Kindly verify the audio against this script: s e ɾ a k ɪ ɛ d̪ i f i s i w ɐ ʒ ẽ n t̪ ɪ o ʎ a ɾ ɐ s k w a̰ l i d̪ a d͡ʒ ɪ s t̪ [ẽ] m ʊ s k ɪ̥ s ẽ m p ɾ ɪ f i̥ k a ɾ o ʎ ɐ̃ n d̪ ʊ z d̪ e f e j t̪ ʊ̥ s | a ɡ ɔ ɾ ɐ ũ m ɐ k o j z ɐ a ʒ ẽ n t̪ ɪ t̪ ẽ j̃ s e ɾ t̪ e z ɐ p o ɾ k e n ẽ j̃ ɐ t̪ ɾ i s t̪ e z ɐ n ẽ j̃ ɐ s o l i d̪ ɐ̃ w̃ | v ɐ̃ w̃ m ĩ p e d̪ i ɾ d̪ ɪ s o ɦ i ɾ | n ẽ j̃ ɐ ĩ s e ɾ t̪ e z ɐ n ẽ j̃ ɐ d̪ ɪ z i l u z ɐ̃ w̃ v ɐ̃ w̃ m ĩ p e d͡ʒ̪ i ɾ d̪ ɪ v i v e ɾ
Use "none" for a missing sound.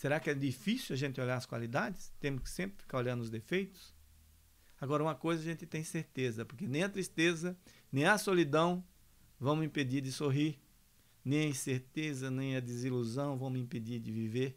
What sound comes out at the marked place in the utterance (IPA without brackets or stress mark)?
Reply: ẽ